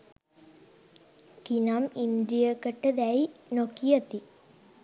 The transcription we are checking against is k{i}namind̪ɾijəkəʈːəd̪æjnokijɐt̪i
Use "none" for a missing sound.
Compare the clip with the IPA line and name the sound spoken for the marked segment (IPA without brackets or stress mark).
i